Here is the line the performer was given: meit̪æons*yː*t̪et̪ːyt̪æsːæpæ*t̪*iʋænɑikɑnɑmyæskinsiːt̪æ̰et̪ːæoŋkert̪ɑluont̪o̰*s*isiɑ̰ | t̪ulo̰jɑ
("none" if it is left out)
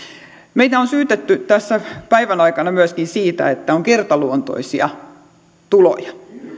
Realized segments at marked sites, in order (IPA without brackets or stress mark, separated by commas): yː, none, none